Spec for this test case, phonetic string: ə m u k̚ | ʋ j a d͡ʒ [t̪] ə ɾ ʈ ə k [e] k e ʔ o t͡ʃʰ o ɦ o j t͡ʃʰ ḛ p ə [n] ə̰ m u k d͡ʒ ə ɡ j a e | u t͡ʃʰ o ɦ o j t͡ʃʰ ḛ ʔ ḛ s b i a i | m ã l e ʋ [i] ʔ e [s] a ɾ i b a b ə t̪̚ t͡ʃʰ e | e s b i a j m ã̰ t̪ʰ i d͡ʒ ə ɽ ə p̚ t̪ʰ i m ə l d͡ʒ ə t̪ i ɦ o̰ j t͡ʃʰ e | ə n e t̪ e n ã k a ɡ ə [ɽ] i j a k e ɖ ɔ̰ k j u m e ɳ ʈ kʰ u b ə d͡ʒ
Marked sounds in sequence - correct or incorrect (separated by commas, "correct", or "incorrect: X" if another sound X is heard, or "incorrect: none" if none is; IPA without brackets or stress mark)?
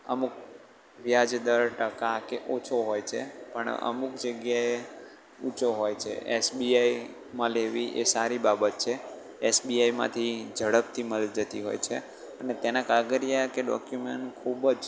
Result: incorrect: d̪, incorrect: a, incorrect: ɳ, correct, correct, incorrect: ɾ